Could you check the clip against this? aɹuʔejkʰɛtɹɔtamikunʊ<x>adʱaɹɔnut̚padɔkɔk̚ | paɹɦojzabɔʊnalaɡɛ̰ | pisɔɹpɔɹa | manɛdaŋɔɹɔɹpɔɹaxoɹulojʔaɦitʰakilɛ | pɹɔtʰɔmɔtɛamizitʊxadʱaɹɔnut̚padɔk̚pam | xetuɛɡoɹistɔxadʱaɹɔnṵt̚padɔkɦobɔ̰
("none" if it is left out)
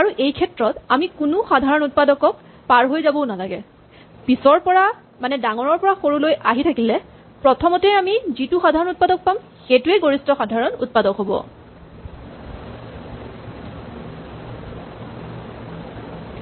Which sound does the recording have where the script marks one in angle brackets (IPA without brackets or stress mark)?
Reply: x